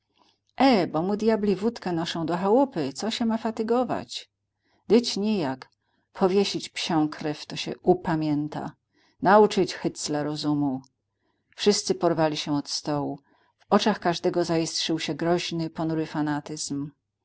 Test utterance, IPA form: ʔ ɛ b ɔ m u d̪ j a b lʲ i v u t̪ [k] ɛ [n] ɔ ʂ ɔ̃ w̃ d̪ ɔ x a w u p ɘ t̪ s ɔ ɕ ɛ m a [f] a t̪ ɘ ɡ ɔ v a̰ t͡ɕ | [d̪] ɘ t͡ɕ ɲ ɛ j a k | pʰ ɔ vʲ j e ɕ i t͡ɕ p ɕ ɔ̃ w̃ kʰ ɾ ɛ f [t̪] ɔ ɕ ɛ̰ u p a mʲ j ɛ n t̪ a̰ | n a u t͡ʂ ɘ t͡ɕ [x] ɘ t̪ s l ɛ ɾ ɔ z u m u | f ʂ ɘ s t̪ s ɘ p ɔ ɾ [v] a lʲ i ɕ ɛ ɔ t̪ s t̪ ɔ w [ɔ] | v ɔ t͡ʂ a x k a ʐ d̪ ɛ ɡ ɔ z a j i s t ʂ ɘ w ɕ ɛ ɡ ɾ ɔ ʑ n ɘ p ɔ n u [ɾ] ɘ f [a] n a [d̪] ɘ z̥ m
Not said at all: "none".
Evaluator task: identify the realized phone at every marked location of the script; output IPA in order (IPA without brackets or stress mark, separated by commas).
k, n, f, d̪, t̪, x, v, u, ɾ, a, t̪